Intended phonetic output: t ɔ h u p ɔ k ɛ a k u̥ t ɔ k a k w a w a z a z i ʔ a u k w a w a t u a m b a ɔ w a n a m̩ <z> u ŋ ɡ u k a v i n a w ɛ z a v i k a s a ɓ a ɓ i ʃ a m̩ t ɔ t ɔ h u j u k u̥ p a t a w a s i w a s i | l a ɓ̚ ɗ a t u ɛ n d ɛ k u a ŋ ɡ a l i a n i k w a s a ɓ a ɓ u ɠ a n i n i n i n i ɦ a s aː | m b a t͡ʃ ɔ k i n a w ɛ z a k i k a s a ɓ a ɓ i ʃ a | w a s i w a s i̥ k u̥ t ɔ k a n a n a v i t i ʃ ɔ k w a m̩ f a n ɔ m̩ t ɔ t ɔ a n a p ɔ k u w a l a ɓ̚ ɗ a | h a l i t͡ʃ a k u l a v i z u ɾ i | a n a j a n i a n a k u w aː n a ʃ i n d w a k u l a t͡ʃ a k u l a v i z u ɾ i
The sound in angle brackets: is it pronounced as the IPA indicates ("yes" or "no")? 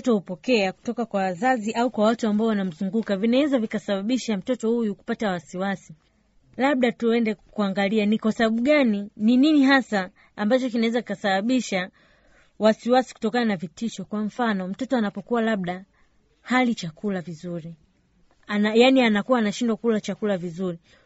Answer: yes